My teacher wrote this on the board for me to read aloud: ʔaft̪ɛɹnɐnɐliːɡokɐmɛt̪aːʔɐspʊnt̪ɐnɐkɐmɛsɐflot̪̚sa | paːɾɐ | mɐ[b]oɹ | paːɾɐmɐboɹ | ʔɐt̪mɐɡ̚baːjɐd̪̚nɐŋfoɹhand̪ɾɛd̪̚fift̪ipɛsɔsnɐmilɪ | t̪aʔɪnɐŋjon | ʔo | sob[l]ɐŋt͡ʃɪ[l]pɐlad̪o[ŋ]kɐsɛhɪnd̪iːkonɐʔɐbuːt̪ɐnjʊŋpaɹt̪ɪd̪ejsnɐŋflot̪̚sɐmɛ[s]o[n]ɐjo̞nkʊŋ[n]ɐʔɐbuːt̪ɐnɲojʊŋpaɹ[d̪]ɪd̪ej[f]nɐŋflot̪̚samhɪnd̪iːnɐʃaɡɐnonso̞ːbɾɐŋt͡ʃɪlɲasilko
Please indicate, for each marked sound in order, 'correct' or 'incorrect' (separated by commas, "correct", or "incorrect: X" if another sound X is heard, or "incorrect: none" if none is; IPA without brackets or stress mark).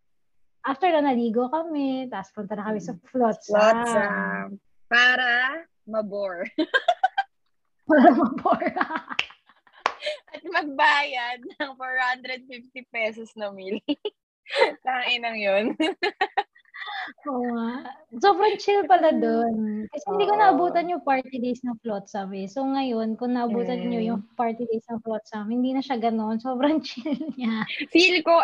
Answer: correct, incorrect: ɾ, correct, incorrect: n, correct, incorrect: ŋ, correct, incorrect: t̪, incorrect: s